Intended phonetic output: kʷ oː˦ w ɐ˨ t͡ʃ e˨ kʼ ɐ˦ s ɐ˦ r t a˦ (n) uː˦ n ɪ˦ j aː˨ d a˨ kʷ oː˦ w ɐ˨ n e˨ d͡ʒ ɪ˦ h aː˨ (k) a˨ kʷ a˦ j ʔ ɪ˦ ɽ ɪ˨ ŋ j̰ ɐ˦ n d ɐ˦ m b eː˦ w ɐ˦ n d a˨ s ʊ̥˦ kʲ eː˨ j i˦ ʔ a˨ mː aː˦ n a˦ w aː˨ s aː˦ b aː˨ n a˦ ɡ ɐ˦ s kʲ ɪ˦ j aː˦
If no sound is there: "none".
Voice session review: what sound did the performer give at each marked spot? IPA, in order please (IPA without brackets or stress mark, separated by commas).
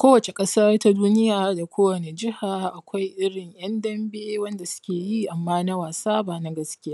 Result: d, ʔ